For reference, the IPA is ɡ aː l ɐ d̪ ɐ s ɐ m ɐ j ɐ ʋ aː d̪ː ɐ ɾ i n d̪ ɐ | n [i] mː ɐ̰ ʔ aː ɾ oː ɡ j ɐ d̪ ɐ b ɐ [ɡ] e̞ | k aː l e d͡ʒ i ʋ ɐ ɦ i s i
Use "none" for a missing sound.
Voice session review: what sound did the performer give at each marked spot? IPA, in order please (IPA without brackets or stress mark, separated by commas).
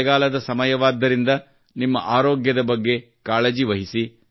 i, ɡː